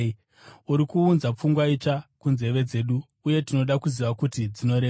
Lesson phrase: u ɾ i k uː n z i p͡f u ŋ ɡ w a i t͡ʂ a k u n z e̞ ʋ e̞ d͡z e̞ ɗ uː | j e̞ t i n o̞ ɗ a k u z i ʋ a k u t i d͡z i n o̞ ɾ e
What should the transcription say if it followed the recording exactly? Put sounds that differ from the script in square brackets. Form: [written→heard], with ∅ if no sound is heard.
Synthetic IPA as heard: u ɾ i k uː n z [i→a] p͡f u ŋ ɡ w a i t͡ʂ a k u n z e̞ ʋ e̞ d͡z e̞ ɗ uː | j e̞ t i n o̞ ɗ a k u z i ʋ a k u t i d͡z i n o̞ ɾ e